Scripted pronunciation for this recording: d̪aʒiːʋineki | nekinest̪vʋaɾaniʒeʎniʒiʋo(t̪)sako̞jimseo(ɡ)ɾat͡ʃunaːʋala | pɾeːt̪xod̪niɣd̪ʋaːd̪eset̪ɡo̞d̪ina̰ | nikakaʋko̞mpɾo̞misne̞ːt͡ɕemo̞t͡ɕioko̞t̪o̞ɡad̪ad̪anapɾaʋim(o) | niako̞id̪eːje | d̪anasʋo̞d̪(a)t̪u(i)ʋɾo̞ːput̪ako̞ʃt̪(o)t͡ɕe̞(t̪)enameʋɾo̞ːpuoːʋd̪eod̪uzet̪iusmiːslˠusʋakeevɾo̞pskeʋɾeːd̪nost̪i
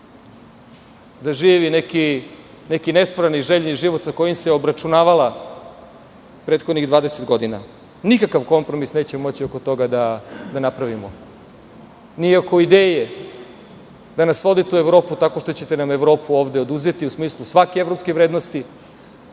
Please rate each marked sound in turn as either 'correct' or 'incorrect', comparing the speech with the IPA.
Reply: correct, incorrect: b, correct, incorrect: i, incorrect: e, correct, correct

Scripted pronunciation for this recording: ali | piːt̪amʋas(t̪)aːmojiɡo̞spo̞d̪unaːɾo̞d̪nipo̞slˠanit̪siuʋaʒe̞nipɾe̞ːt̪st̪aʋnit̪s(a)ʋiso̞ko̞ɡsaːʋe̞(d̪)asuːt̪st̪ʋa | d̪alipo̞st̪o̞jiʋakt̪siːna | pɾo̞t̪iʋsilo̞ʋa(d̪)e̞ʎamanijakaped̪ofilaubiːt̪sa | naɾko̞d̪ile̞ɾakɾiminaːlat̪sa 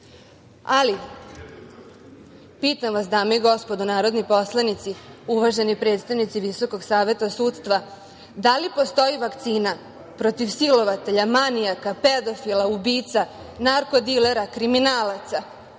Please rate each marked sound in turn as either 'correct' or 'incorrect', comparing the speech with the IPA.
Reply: incorrect: d̪, incorrect: i, incorrect: t̪, incorrect: t̪

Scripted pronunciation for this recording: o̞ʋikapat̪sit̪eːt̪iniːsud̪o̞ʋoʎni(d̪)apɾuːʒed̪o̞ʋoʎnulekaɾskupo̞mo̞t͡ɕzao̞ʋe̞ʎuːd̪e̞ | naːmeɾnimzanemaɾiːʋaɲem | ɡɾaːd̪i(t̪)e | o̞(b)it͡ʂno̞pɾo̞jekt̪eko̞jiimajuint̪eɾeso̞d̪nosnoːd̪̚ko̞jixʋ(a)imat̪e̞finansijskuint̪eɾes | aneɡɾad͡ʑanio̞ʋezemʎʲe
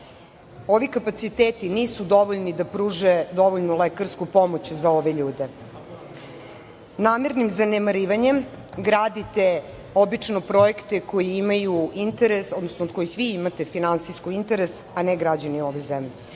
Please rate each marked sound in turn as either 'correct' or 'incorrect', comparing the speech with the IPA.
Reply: correct, correct, correct, incorrect: i

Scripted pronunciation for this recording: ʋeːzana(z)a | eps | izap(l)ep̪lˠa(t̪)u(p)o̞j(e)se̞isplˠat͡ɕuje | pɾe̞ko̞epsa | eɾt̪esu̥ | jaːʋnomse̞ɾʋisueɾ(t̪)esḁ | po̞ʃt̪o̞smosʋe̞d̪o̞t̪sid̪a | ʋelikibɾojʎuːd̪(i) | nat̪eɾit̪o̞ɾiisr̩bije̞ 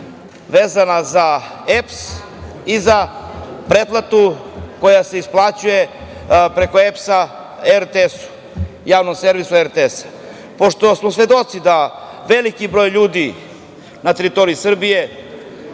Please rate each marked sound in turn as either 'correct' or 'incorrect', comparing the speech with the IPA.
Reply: correct, incorrect: ɾ, correct, incorrect: k, incorrect: a, correct, correct

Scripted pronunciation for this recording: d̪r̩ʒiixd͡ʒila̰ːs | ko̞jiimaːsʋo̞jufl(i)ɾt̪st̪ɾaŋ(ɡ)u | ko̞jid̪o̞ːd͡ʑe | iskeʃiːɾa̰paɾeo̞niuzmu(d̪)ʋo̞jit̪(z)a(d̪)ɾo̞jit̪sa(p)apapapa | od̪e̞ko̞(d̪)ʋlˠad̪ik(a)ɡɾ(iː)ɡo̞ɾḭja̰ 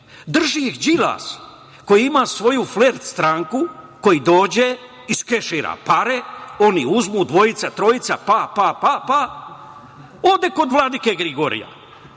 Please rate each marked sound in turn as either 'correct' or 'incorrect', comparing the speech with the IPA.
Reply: incorrect: e, incorrect: k, correct, incorrect: s, incorrect: t̪, correct, correct, incorrect: e, incorrect: i

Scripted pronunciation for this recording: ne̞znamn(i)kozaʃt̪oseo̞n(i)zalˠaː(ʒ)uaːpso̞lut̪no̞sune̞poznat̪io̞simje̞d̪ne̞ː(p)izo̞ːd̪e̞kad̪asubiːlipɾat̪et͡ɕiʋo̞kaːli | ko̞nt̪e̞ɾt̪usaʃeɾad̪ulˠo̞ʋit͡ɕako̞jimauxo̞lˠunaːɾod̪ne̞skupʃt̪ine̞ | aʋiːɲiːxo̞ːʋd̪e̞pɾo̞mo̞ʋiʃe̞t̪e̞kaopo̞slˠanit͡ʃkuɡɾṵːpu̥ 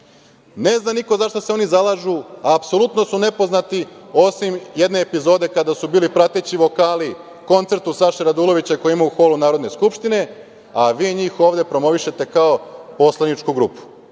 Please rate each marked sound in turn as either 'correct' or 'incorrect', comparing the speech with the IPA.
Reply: correct, correct, correct, correct

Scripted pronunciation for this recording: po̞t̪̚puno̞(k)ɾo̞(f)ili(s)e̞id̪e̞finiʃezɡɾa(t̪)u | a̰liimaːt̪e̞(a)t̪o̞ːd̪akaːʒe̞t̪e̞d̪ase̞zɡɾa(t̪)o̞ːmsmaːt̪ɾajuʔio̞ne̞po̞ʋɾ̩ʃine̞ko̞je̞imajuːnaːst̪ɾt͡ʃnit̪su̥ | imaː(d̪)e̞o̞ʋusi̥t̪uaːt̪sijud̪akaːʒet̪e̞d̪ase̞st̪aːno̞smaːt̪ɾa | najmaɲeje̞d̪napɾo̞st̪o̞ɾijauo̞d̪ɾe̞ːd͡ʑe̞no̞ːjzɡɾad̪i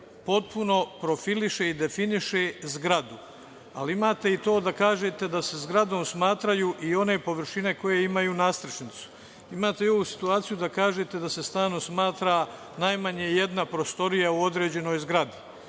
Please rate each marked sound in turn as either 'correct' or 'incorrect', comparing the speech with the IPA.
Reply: incorrect: p, correct, incorrect: ʃ, incorrect: d̪, incorrect: i, incorrect: d̪, incorrect: t̪

